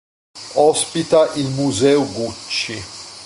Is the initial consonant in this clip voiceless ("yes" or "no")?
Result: yes